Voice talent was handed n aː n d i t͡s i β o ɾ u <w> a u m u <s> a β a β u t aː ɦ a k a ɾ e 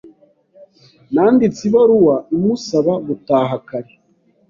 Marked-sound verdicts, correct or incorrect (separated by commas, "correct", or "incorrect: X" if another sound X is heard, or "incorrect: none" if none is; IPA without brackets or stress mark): correct, correct